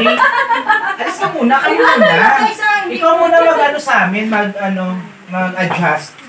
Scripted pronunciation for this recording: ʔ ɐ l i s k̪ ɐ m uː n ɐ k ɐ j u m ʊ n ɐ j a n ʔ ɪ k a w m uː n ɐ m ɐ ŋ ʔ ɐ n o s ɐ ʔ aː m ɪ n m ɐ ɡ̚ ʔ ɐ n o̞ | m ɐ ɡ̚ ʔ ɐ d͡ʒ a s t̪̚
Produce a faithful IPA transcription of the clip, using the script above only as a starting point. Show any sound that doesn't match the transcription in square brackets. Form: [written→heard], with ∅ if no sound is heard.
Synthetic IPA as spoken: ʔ ɐ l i s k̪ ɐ m uː n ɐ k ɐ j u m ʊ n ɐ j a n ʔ ɪ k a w m uː n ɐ m ɐ [ŋ→ɡ] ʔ ɐ n o s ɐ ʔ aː m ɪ n m ɐ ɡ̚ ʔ ɐ n o̞ | m ɐ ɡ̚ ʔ ɐ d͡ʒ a s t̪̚